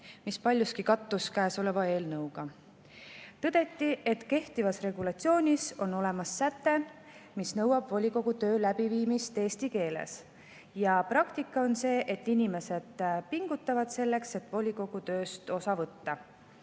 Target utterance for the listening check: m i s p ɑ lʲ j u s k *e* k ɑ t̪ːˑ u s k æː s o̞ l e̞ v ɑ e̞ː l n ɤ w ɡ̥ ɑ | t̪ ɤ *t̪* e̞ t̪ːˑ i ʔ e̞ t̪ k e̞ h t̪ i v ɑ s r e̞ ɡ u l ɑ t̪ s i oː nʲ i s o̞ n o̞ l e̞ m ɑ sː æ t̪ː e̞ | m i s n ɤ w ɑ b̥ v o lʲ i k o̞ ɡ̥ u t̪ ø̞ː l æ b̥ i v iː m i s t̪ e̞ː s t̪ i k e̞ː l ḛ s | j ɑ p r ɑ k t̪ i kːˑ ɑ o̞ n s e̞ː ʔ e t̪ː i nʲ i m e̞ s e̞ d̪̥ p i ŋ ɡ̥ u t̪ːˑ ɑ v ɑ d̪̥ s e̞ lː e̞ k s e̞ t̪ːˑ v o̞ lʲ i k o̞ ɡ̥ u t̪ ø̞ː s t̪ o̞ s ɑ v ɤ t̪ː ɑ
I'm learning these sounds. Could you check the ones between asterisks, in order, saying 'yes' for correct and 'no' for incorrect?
no, no

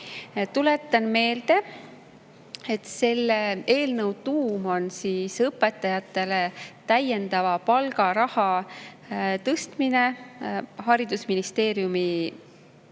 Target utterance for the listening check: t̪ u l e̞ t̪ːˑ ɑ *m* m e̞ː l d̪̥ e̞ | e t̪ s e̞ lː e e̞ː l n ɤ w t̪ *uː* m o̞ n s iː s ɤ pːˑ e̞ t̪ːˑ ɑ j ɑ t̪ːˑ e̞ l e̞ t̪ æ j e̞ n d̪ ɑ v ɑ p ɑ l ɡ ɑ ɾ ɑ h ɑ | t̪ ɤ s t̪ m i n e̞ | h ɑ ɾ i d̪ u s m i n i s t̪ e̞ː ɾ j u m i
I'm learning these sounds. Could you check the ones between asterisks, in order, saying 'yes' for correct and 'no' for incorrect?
no, yes

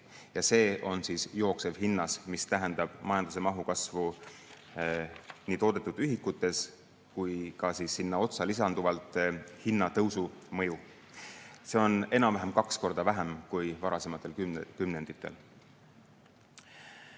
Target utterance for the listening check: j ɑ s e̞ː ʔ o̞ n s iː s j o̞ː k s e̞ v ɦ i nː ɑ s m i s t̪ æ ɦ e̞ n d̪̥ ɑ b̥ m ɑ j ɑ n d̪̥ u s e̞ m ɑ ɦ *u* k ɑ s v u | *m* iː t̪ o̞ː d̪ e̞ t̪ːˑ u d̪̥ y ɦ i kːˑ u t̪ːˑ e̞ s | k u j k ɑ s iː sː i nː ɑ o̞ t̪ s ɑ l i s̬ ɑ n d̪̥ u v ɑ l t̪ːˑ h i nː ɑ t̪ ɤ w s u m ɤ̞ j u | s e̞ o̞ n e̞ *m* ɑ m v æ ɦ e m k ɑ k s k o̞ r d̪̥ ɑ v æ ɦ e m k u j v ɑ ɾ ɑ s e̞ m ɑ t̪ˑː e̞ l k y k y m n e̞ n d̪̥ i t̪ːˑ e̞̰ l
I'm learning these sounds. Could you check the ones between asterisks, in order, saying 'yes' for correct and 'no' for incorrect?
yes, no, no

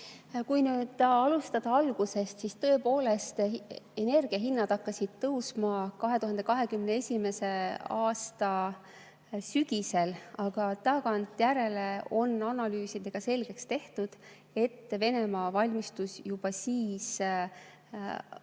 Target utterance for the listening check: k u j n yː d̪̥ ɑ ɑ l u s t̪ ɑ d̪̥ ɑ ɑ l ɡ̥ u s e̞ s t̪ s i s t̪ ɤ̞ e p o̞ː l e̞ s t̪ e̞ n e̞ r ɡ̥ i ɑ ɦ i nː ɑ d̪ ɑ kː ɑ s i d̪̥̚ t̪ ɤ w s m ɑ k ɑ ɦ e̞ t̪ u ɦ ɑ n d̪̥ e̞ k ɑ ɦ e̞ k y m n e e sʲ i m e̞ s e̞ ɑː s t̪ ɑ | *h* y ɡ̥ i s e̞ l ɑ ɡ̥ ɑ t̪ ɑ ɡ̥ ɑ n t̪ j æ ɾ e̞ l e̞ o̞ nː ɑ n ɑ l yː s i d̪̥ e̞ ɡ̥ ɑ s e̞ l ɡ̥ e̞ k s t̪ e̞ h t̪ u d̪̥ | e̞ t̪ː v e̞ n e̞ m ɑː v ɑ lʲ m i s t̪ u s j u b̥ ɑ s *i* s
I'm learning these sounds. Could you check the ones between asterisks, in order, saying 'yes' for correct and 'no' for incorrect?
no, no

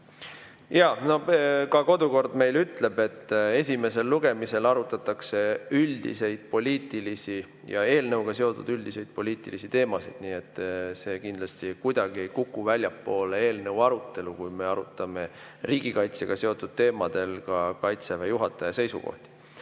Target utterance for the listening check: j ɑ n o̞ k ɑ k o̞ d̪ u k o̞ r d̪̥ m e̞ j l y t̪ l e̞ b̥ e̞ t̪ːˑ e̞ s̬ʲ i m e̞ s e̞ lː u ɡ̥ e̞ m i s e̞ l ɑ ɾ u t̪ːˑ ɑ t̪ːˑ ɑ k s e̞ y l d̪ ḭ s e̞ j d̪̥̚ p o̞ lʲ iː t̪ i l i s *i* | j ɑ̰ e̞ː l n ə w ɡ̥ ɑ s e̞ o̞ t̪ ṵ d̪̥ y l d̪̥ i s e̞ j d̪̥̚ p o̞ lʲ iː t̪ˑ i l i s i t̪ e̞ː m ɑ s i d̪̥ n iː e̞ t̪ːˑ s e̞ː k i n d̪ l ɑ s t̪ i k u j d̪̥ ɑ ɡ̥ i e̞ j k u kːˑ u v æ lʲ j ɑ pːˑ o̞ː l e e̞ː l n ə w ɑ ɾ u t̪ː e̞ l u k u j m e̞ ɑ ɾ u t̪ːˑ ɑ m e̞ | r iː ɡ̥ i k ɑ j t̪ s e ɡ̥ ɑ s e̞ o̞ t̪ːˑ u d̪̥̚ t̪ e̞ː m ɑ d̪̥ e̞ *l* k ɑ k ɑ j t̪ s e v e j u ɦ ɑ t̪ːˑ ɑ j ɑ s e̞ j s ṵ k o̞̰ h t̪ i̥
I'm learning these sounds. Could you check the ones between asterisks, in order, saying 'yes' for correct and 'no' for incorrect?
yes, yes

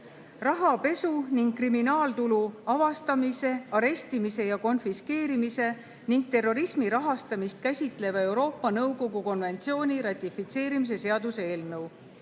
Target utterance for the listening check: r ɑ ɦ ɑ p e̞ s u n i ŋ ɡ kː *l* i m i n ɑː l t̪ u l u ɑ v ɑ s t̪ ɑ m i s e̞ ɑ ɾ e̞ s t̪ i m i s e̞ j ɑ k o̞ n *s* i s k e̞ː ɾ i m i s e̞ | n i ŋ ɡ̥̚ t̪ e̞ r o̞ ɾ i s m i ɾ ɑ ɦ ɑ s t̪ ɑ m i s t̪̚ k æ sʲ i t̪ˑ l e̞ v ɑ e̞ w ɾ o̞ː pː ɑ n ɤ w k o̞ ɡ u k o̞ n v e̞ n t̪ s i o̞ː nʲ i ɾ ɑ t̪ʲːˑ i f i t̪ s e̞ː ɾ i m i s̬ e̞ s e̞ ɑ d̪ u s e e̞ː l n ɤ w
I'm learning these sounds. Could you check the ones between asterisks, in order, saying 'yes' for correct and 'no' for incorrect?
no, no

